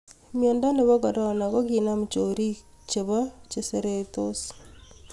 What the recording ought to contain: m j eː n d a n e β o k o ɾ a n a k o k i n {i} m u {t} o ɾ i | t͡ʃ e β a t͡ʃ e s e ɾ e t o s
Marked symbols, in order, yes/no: no, no

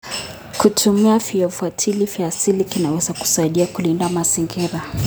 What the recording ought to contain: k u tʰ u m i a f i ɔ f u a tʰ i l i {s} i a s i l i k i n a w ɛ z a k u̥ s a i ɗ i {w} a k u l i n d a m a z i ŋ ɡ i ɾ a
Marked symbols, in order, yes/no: no, no

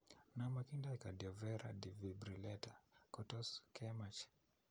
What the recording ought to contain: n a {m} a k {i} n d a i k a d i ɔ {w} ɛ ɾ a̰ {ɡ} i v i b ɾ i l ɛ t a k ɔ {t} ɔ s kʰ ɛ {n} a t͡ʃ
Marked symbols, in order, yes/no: yes, yes, no, no, yes, no

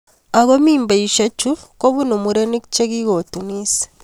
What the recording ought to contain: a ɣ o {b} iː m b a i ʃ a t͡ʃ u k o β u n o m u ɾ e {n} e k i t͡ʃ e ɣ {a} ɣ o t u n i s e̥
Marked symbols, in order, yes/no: no, yes, no

